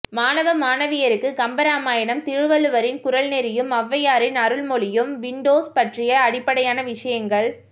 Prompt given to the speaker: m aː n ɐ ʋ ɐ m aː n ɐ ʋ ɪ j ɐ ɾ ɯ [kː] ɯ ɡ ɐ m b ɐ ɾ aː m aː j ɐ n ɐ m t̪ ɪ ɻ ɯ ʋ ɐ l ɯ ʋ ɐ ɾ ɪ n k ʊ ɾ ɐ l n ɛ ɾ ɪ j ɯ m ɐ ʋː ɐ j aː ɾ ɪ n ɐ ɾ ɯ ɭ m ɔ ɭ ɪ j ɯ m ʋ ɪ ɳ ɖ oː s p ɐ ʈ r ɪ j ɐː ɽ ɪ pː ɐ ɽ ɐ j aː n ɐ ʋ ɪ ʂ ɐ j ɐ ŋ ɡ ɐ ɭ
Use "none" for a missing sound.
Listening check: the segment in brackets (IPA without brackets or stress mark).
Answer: kː